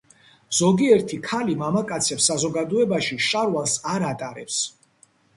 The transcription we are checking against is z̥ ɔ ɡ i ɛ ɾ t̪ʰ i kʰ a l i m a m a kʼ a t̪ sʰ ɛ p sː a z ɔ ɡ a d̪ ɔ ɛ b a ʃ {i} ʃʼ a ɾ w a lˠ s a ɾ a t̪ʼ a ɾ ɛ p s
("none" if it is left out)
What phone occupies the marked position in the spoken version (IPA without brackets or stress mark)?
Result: i